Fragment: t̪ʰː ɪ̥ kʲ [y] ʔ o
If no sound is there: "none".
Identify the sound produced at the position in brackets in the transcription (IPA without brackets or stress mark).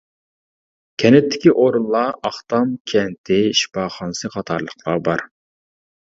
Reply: i